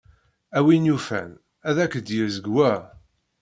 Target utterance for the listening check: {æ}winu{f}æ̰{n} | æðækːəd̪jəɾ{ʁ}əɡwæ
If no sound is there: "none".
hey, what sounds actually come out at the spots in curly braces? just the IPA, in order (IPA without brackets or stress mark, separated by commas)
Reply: æ, f, n, z